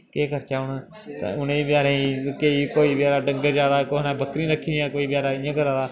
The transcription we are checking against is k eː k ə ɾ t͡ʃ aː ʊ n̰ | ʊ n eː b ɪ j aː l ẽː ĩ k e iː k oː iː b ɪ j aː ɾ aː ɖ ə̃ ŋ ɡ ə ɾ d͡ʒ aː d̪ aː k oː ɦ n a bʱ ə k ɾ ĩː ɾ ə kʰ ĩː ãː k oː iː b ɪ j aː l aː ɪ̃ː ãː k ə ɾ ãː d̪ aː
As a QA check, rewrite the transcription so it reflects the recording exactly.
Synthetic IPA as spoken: k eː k ə ɾ t͡ʃ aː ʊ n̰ | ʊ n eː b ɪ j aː ɾ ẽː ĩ k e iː k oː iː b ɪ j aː ɾ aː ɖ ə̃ ŋ ɡ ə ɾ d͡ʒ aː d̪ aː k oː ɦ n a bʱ ə k ɾ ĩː ɾ ə kʰ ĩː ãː k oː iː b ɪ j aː ɾ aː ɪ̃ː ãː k ə ɾ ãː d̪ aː